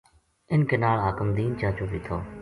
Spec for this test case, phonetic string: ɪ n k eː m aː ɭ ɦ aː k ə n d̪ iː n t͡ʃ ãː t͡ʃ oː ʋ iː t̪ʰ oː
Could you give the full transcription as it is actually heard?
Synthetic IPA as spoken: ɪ n k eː n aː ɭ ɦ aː k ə m d̪ iː n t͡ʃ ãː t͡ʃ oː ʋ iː t̪ʰ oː